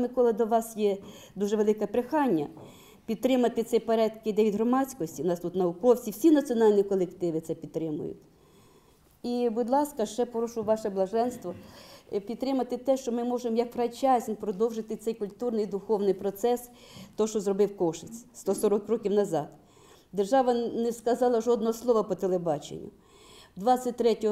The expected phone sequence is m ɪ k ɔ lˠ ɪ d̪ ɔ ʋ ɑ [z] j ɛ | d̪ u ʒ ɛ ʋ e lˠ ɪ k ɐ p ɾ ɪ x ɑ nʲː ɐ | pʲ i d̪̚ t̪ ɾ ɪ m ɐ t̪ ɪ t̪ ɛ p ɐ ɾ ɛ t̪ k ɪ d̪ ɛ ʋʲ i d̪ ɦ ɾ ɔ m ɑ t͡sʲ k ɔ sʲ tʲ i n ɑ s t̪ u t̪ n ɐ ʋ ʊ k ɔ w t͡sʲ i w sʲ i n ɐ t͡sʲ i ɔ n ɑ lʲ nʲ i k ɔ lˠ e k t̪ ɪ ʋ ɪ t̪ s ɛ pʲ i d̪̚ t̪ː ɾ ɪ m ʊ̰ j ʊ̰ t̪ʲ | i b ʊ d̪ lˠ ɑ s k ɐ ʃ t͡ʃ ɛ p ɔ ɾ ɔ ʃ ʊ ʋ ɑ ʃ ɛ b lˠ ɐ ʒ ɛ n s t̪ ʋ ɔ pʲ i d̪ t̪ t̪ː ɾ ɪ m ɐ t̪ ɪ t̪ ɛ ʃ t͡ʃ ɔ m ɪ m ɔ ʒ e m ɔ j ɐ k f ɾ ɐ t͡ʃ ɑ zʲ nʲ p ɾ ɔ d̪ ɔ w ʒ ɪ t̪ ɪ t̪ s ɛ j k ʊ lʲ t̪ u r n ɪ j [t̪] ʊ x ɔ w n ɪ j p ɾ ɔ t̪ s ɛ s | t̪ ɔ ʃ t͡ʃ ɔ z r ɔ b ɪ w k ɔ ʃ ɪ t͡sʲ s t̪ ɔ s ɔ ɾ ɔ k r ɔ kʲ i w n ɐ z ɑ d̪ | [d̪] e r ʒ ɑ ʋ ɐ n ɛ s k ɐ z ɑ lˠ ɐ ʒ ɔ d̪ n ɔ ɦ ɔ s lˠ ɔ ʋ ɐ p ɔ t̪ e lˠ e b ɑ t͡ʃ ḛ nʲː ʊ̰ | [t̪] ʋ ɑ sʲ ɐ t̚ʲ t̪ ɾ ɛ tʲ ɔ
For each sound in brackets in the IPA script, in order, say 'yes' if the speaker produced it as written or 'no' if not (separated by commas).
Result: no, no, yes, no